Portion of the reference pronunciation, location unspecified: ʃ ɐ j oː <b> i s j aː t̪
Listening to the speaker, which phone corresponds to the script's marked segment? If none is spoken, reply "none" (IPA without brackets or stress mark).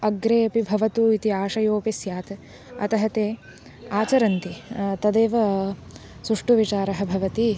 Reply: p